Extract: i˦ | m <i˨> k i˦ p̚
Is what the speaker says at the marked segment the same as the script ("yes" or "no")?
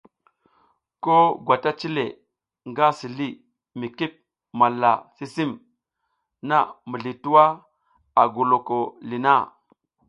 yes